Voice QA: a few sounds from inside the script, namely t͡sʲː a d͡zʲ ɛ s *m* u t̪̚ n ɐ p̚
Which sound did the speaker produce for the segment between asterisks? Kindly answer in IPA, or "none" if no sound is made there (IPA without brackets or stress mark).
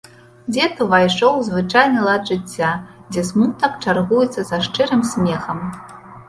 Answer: m